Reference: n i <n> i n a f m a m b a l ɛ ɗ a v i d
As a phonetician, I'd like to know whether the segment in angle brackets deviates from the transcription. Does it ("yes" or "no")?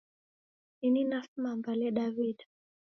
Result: no